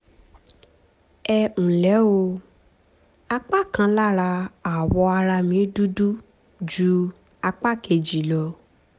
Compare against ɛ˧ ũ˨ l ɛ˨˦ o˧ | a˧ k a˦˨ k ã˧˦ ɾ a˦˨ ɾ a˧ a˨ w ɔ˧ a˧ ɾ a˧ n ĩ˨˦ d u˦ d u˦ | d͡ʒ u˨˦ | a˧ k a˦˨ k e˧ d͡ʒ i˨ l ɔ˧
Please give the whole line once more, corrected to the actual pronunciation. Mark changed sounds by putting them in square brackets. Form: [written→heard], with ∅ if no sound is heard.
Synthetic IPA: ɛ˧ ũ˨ l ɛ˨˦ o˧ | a˧ [k→k͡p] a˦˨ k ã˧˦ [ɾ→l] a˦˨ ɾ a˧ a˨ w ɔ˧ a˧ ɾ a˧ [n→m] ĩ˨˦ d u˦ d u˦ | d͡ʒ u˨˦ | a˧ [k→k͡p] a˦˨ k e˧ d͡ʒ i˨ l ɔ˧